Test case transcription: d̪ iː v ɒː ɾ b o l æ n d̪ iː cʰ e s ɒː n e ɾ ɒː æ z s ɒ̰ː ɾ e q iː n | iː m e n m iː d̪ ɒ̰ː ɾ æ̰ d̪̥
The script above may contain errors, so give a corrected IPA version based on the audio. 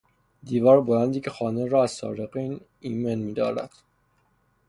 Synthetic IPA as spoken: d̪ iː v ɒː ɾ b o l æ n d̪ iː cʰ e x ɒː n e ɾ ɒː æ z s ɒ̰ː ɾ e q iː n | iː m e n m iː d̪ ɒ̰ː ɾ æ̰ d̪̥